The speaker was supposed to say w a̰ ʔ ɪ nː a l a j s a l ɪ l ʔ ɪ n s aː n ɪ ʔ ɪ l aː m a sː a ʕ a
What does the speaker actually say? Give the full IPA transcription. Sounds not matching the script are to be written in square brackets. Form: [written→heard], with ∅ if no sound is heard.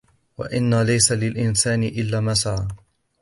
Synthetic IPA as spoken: w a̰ ʔ ɪ nː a l a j s a l ɪ l ʔ ɪ n s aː n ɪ ʔ ɪ [l→lː] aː m a [sː→s] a ʕ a